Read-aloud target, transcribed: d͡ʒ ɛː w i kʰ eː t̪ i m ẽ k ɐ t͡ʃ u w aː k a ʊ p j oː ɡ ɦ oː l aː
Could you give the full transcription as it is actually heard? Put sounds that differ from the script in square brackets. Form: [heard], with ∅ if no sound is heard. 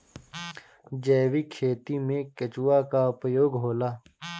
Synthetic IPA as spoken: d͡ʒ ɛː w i kʰ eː t̪ i m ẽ k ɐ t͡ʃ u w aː k a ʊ p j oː ɡ ɦ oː l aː